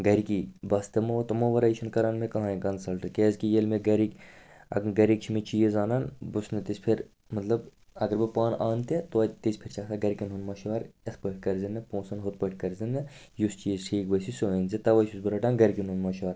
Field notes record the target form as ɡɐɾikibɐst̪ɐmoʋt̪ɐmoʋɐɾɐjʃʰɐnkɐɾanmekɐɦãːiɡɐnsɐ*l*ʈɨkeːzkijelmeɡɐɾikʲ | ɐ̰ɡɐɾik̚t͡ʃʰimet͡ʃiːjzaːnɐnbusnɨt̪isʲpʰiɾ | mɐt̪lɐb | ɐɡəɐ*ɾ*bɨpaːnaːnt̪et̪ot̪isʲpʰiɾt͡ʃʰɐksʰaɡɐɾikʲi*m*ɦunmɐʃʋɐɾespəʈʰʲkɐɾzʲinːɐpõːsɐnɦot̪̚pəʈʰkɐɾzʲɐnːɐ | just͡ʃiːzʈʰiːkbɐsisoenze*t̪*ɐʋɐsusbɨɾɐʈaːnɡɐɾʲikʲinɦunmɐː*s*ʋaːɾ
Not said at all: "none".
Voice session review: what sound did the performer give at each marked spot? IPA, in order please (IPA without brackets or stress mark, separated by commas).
l, ɾ, n, t̪, ʃ